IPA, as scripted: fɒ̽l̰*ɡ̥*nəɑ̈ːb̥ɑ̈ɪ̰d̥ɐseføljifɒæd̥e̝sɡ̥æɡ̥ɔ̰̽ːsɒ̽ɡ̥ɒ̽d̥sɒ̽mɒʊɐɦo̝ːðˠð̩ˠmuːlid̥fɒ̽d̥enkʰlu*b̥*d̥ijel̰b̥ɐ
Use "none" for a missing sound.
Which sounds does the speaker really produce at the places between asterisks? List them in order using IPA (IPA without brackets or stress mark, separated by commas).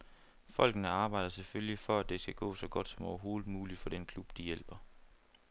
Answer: ɡ̥, b̥